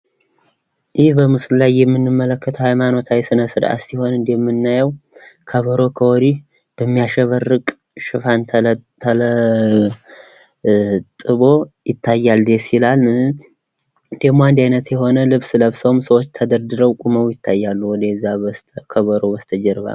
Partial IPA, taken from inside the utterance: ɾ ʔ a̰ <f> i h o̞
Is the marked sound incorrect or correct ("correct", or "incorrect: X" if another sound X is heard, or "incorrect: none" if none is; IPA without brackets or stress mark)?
incorrect: s